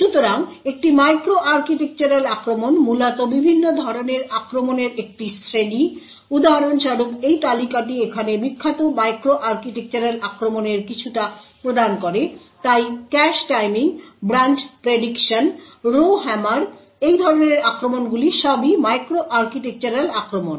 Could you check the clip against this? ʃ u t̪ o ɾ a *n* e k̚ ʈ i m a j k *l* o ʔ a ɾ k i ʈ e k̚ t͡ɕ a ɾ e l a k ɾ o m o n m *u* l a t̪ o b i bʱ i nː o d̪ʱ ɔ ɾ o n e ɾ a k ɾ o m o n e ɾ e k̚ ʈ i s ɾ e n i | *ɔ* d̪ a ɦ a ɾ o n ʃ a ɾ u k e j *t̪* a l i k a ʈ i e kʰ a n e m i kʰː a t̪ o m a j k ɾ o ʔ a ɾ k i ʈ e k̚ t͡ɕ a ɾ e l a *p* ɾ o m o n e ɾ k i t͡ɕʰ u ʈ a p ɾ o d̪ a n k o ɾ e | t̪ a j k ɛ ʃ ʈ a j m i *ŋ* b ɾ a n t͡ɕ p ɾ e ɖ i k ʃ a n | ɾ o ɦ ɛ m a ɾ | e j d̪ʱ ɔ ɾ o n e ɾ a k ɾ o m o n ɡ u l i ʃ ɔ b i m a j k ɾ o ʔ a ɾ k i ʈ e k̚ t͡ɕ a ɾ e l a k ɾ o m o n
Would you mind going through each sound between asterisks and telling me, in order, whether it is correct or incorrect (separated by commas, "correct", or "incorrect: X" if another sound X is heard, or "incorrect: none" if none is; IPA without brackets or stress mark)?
incorrect: ŋ, incorrect: ɾ, correct, incorrect: u, correct, incorrect: k, correct